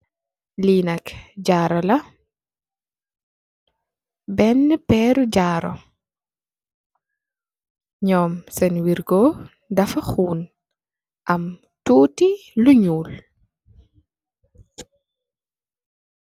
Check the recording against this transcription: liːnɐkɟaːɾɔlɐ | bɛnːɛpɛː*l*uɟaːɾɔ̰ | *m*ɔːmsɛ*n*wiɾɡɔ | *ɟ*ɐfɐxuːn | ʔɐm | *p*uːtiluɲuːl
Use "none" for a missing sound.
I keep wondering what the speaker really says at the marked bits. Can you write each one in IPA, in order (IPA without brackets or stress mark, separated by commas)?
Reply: ɾ, ɲ, n, d, t